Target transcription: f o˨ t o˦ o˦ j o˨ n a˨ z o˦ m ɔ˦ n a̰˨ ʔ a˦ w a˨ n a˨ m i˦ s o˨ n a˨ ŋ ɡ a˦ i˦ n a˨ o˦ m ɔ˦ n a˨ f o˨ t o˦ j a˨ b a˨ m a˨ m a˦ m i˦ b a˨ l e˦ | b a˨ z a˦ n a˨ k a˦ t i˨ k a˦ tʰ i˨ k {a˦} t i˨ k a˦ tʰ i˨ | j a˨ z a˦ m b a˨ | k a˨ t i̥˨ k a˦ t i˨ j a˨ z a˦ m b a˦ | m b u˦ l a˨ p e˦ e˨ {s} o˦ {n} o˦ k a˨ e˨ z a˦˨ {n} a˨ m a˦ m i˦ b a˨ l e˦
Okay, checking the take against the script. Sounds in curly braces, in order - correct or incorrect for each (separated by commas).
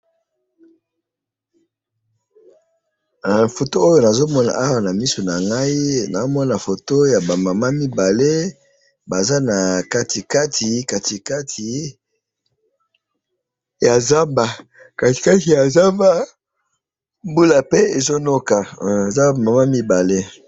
incorrect, incorrect, correct, incorrect